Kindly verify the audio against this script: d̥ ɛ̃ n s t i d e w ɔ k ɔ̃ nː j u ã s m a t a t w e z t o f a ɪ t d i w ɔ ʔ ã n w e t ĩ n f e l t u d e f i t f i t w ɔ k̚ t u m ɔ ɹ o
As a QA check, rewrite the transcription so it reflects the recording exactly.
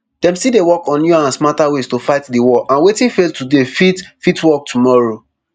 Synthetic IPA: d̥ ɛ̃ m s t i d e w ɔ k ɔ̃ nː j u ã s m a t a w e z t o f a ɪ t d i w ɔ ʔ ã n w e t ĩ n f e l t u d e f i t f i t w ɔ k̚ t u m ɔ ɹ o